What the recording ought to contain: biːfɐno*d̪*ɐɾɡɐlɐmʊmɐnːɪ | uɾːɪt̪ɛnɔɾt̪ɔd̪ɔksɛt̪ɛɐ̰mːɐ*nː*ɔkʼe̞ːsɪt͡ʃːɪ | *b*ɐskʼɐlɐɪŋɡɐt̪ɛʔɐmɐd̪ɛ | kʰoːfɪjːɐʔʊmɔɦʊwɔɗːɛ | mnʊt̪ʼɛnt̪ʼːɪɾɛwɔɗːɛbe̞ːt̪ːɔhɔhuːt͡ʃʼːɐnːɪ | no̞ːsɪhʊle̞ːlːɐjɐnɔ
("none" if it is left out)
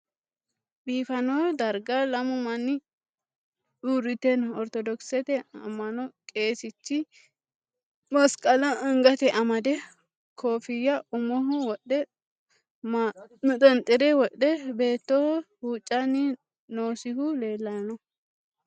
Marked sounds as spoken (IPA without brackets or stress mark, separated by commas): d̪, n, m